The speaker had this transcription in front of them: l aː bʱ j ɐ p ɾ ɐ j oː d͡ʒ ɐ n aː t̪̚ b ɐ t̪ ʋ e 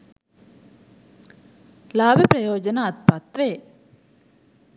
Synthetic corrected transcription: l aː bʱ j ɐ p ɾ ɐ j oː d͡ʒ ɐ n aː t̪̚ p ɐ t̪ ʋ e